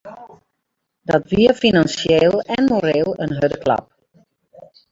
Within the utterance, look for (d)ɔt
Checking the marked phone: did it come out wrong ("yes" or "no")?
no